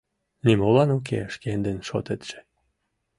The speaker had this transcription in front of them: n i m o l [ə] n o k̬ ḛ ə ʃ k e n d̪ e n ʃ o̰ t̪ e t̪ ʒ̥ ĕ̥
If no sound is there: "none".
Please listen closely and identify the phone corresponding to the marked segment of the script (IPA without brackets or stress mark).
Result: ɑ